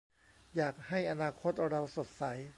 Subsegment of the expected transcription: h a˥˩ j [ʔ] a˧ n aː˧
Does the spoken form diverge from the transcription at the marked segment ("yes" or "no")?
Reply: no